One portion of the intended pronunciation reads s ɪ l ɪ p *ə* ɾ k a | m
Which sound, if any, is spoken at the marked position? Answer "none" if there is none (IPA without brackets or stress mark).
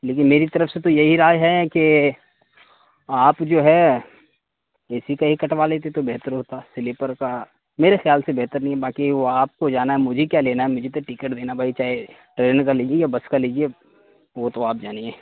ə